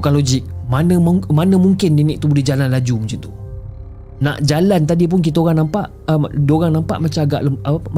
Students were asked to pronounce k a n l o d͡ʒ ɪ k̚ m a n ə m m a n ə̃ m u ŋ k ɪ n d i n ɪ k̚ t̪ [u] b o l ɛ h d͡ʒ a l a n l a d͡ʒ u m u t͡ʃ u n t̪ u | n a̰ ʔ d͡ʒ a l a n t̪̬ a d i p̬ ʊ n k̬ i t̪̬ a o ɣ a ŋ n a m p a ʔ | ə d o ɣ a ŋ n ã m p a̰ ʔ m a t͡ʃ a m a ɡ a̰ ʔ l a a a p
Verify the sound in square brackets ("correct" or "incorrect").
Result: correct